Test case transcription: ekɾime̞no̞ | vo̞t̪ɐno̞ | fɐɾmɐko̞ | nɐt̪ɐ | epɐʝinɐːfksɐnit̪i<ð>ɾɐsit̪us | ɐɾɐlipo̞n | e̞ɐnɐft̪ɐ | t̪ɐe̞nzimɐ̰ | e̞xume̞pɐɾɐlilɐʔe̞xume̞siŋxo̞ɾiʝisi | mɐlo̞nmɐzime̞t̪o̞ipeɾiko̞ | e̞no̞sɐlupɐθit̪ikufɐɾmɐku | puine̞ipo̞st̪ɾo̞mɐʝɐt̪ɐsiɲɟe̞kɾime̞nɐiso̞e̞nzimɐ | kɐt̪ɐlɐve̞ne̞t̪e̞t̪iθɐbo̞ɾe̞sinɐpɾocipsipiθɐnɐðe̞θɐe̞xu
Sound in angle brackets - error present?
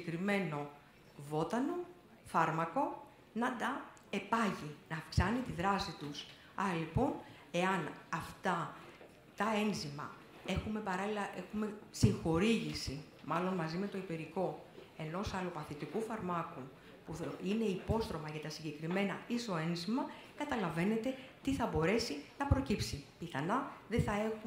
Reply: no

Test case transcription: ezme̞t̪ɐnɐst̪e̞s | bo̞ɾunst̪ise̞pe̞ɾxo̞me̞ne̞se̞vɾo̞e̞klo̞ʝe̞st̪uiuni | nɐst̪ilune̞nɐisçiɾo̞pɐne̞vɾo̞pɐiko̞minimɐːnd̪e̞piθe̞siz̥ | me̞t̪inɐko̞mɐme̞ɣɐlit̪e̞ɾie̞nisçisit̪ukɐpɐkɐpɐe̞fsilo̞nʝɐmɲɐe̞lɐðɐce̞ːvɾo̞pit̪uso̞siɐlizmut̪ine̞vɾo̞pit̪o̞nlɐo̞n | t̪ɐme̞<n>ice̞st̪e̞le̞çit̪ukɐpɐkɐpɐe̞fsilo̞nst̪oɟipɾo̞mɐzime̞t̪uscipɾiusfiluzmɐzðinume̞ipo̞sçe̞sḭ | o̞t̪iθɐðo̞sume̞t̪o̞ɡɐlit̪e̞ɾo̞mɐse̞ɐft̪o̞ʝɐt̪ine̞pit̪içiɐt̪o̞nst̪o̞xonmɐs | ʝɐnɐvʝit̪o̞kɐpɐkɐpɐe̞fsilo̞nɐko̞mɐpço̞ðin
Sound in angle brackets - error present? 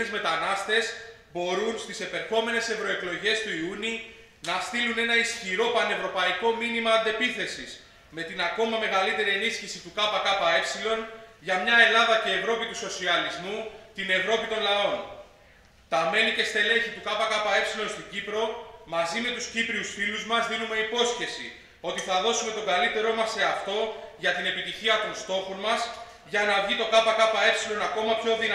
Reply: no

